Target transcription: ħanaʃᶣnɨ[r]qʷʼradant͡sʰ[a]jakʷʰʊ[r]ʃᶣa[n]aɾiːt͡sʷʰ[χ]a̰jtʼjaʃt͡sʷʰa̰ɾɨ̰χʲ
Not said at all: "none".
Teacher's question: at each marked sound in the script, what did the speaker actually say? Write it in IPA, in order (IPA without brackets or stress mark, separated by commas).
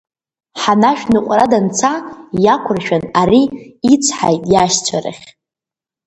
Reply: none, a, r, n, ħ